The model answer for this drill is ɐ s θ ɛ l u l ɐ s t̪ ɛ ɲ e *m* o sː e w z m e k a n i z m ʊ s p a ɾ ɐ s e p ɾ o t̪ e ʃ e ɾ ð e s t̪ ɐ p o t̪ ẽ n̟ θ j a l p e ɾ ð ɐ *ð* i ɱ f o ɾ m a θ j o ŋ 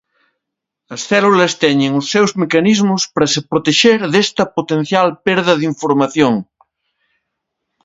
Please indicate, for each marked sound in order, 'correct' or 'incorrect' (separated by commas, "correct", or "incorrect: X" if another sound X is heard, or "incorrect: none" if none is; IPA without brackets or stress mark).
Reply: incorrect: ŋ, correct